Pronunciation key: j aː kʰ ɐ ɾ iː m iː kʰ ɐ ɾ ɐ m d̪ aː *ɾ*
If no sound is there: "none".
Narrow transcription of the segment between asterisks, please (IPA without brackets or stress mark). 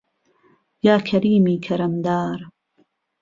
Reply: ɾ